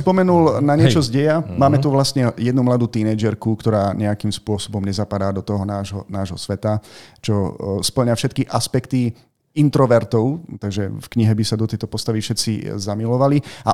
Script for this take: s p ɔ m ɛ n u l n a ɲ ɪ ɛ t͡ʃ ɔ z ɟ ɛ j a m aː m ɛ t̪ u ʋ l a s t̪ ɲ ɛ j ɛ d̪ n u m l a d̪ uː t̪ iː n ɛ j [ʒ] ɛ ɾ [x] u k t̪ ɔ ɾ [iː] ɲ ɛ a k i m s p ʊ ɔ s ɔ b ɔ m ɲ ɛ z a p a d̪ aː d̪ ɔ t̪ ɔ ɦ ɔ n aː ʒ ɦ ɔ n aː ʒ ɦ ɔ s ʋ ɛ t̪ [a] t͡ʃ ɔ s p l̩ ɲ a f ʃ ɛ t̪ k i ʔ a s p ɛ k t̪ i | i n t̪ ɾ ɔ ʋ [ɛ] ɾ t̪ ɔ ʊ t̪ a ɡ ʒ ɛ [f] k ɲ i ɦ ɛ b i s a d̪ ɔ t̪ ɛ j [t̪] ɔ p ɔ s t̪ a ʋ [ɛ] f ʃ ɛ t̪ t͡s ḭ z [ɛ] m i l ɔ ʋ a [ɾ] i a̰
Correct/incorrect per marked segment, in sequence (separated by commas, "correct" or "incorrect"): incorrect, incorrect, incorrect, correct, correct, correct, correct, incorrect, incorrect, incorrect